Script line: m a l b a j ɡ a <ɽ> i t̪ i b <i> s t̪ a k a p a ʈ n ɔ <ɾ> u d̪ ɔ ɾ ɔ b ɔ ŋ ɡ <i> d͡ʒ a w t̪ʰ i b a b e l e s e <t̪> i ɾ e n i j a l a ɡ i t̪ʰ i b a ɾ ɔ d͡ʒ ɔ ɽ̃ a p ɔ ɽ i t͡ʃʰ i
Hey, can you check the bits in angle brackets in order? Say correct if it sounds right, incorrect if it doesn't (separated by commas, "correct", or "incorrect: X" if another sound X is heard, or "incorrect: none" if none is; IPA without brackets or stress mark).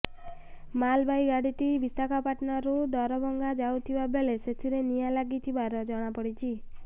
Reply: correct, correct, correct, incorrect: a, incorrect: t̪ʰ